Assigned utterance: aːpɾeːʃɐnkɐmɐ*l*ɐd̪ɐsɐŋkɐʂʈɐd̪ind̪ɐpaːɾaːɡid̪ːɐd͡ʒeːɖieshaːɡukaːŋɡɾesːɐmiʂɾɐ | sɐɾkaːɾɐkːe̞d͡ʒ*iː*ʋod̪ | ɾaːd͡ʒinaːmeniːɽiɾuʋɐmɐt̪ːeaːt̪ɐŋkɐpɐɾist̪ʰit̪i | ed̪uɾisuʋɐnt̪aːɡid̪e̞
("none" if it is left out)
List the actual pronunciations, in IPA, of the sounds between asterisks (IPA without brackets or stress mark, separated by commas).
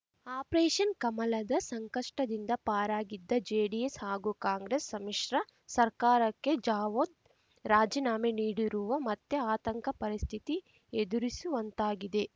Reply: l, aː